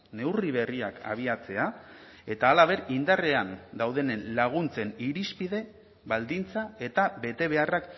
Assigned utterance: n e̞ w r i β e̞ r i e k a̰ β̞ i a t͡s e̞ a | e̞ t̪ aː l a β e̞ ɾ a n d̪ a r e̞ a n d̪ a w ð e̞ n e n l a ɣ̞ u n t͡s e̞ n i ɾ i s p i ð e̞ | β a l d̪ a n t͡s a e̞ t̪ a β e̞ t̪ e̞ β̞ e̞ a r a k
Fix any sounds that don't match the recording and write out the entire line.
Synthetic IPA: n e̞ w r i β e̞ r i a k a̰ β̞ i a t͡s e̞ a | e̞ t̪ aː l a β e̞ ɾ i n d̪ a r e̞ a n d̪ a w ð e̞ n e n l a ɣ̞ u n t͡s e̞ n i ɾ i s p i ð e̞ | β a l d̪ i n t͡s a e̞ t̪ a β e̞ t̪ e̞ β̞ e̞ a r a k

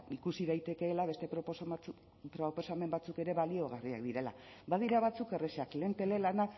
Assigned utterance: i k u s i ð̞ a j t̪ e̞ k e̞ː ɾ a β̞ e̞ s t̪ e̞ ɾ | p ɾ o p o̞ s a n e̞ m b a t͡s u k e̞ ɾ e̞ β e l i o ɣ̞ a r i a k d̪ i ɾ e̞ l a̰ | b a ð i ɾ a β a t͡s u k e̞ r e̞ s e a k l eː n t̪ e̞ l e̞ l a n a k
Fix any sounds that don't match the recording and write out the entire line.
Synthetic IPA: i k u s i ð̞ a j t̪ e̞ k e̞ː l a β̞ e̞ s t̪ e̞ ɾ | p ɾ o p o̞ s a m e̞ m b a t͡s u k e̞ ɾ e̞ β a l i o ɣ̞ a r i a k d̪ i ɾ e̞ l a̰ | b a ð i ɾ a β a t͡s u k e̞ r e̞ s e a k l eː n t̪ e̞ l e̞ l a n a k

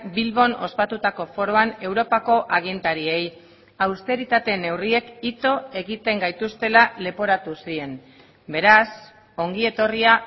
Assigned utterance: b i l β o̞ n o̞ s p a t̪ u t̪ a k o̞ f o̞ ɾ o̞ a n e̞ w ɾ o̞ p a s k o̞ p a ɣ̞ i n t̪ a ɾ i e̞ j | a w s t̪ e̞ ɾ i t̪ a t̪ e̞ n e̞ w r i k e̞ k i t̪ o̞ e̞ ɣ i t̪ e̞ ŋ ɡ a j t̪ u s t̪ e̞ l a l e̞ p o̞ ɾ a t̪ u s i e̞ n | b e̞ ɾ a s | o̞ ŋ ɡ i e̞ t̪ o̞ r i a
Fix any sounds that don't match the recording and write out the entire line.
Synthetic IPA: b i l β o̞ n o̞ s p a t̪ u t̪ a k o̞ f o̞ ɾ o̞ a n e̞ w ɾ o̞ p a k o̞ ʔ a ɣ̞ i n t̪ a ɾ i e̞ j | a w s t̪ e̞ ɾ i t̪ a t̪ e̞ n e̞ w r i e̞ k i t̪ o̞ e̞ ɣ i t̪ e̞ ŋ ɡ a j t̪ u s t̪ e̞ l a l e̞ p o̞ ɾ a t̪ u s i e̞ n | b e̞ ɾ a s | o̞ ŋ ɡ i e̞ t̪ o̞ r i a

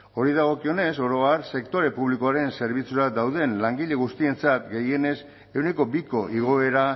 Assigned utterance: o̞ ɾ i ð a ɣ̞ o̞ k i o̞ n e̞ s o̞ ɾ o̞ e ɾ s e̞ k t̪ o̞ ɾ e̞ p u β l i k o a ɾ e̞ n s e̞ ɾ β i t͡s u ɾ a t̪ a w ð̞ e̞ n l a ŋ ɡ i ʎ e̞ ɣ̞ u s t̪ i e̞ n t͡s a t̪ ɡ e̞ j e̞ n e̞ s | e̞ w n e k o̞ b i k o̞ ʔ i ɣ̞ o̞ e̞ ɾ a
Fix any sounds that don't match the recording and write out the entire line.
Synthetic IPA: o̞ ɾ i ð a ɣ̞ o̞ k i o̞ n e̞ s o̞ ɾ o̞ a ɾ s e̞ k t̪ o̞ ɾ e̞ p u β l i k o a ɾ e̞ n s e̞ ɾ β i t͡s u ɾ a d̪ a w ð̞ e̞ n l a ŋ ɡ i ʎ e̞ ɣ̞ u s t̪ i e̞ n t͡s a t̪ ɡ e̞ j e̞ n e̞ s | e̞ w n e k o̞ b i k o̞ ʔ i ɣ̞ o̞ e̞ ɾ a

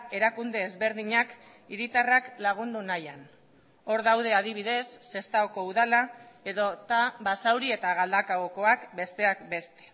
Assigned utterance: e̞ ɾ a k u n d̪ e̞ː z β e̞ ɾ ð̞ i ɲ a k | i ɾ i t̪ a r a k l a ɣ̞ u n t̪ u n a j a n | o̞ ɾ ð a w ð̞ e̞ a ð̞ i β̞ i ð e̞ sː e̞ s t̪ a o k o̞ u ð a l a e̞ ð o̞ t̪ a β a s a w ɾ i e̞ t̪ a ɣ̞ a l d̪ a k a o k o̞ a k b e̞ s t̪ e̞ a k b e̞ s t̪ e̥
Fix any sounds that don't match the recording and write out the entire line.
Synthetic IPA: e̞ ɾ a k u n d̪ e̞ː z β e̞ ɾ ð̞ i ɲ a k | i ɾ i t̪ a r a k l a ɣ̞ u n d̪ u n a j a n | o̞ ɾ ð a w ð̞ e̞ a ð̞ i β̞ i ð e̞ sː e̞ s t̪ a o k o̞ u ð a l a e̞ ð o̞ t̪ a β a s a w ɾ i e̞ t̪ a ɣ̞ a l d̪ a k a o k o̞ a k b e̞ s t̪ e̞ a k b e̞ s t̪ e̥

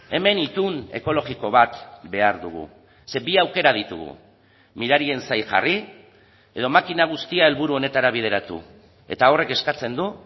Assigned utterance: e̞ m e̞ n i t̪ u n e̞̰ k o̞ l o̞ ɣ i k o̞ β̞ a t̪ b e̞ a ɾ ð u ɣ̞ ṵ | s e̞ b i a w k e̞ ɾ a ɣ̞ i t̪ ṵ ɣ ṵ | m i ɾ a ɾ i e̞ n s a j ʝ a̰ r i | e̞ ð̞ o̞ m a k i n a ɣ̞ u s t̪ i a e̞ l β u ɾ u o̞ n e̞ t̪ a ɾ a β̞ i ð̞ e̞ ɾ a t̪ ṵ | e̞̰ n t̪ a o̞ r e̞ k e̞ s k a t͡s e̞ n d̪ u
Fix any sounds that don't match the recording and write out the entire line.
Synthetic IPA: e̞ m e̞ n i t̪ u n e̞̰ k o̞ l o̞ ɣ i k o̞ β̞ a t̪ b e̞ a ɾ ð u ɣ̞ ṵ | s e̞ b i a w k e̞ ɾ a ð̞ i t̪ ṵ ɣ ṵ | m i ɾ a ɾ i e̞ n s a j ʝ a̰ r i | e̞ ð̞ o̞ m a k i n a ɣ̞ u s t̪ i a e̞ l β u ɾ u o̞ n e̞ t̪ a ɾ a β̞ i ð̞ e̞ ɾ a t̪ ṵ | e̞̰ t̪ a o̞ r e̞ k e̞ s k a t͡s e̞ n d̪ u

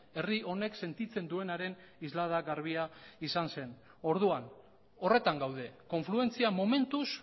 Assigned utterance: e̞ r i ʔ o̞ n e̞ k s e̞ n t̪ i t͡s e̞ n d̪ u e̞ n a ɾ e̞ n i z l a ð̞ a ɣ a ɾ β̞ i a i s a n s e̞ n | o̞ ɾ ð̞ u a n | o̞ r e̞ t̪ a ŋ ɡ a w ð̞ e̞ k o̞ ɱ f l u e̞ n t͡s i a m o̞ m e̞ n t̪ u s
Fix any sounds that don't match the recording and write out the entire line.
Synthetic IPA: e̞ r i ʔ o̞ n e̞ k s e̞ n t̪ i t͡s e̞ n d̪ u e̞ n a ɾ e̞ n i z l a ð̞ a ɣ a ɾ β̞ i a i s a n s e̞ n | o̞ ɾ ð̞ u a n | o̞ r e̞ t̪ a ŋ ɡ a w ð̞ e̞ k o̞ ɱ f l u e̞ n t͡s i a m o̞ m e̞ n t̪ u s

